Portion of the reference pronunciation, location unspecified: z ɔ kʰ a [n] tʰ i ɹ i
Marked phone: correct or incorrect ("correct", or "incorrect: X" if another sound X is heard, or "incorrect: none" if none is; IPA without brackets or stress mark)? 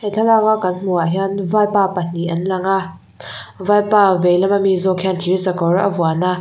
correct